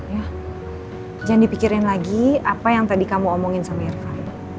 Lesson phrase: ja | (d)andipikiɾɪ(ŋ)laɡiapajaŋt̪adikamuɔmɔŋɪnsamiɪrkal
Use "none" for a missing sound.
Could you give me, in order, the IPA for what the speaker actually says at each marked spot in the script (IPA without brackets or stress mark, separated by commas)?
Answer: d͡ʒ, n